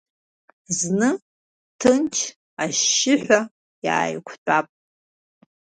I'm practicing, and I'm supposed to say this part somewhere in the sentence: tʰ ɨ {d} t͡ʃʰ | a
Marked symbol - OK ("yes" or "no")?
no